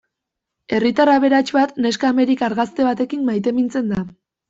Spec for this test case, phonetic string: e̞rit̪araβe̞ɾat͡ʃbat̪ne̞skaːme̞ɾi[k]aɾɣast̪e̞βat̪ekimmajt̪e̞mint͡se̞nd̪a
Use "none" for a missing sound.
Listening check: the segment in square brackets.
k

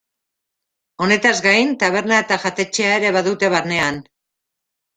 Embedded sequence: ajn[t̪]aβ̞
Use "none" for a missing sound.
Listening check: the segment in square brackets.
t̪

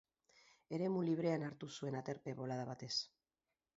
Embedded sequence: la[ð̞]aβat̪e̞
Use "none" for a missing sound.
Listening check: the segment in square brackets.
ð̞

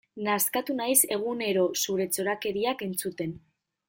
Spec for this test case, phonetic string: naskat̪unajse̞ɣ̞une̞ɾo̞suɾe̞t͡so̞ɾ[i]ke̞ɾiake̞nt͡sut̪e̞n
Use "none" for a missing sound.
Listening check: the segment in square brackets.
a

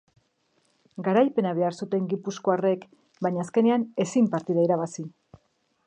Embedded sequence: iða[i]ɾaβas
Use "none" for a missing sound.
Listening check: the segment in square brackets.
i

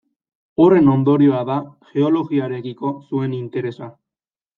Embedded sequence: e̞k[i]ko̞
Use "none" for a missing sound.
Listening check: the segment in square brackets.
i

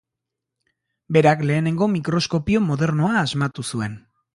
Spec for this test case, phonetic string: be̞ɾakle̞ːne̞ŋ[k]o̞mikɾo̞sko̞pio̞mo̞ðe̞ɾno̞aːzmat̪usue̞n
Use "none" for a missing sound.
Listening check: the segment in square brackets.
ɡ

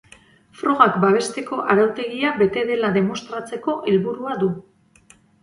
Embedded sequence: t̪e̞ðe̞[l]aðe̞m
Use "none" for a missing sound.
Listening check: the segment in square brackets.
l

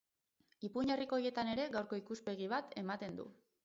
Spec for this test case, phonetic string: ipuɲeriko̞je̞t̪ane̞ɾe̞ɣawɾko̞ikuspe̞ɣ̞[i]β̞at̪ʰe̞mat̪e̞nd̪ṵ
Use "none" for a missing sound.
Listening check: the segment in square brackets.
i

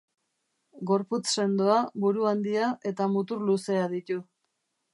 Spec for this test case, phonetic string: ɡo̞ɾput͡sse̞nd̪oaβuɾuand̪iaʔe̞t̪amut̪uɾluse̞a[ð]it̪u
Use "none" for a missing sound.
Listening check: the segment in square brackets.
ð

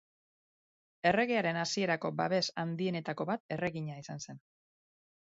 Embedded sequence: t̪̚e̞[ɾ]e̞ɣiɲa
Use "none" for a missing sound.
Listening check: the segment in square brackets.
r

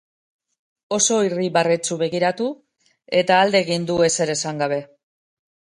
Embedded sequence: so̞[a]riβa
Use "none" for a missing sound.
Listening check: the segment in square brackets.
i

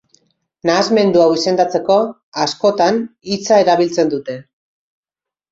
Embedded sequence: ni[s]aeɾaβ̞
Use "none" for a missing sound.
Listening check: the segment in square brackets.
t͡s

